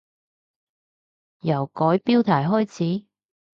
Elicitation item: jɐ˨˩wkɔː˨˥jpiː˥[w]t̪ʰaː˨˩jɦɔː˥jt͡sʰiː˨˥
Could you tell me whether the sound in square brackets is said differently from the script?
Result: no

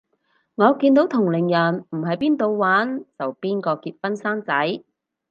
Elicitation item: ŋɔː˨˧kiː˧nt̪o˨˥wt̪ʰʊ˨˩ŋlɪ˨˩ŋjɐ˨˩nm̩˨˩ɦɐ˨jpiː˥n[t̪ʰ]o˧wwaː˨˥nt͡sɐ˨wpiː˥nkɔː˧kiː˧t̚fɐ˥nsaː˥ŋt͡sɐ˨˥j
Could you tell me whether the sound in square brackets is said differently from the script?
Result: yes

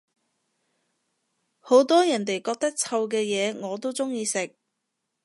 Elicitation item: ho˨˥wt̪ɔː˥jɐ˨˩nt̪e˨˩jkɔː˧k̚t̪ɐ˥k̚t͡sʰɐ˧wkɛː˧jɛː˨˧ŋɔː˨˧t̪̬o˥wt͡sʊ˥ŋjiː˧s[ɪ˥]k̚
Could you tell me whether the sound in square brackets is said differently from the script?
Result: yes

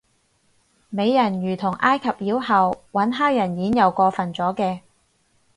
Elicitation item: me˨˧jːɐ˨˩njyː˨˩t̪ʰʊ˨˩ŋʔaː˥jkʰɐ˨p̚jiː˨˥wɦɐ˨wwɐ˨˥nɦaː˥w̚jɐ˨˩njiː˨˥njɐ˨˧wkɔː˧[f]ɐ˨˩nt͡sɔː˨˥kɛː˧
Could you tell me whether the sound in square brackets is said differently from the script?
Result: no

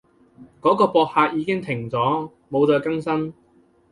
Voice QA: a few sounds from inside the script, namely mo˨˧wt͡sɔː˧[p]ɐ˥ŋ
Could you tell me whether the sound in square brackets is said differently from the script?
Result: yes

